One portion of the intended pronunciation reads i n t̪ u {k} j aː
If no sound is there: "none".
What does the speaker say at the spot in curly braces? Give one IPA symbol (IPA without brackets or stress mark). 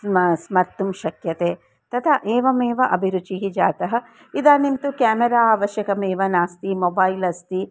k